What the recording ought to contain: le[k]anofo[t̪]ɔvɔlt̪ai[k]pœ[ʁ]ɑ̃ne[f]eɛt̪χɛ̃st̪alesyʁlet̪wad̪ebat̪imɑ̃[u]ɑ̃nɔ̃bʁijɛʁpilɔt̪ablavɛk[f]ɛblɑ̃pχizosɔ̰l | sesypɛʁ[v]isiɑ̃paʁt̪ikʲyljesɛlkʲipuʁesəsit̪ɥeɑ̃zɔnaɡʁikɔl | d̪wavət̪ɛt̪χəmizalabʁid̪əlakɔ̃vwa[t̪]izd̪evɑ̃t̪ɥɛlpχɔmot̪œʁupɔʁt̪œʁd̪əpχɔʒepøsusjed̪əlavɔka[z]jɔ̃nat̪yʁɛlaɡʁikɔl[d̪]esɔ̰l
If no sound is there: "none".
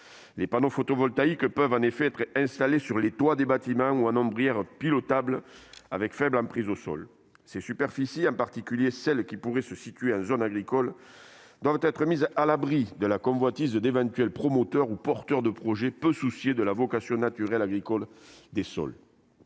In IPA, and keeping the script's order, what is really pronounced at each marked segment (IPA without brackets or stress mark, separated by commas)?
p, t̪, k, v, f, u, f, f, t̪, s, d̪